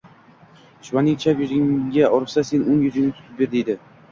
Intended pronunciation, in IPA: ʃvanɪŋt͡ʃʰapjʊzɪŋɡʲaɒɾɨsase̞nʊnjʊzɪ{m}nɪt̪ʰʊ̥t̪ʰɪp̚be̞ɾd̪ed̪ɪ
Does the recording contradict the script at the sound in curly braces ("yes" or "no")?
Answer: yes